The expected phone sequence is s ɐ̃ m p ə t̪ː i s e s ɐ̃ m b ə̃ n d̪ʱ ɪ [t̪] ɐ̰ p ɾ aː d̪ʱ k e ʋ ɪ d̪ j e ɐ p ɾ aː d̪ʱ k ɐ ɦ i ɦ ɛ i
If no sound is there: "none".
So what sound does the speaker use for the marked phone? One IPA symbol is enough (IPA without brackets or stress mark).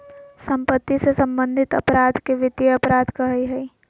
t̪